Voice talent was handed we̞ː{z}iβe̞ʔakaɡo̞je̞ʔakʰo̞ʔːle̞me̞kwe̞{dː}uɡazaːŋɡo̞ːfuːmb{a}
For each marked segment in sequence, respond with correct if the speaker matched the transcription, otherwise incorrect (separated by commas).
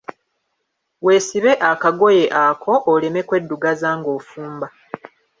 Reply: incorrect, correct, correct